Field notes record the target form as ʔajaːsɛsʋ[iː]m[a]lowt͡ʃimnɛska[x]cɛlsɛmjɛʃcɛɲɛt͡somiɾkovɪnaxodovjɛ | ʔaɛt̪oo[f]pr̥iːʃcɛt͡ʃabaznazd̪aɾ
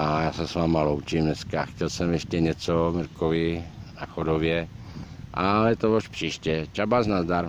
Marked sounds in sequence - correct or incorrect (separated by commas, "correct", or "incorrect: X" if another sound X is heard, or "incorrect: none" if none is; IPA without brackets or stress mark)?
incorrect: aː, correct, correct, incorrect: ʃ